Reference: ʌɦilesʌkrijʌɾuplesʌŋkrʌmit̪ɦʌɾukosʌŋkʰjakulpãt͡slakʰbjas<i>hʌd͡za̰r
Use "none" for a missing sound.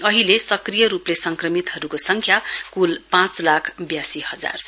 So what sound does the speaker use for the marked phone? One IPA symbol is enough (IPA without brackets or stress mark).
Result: i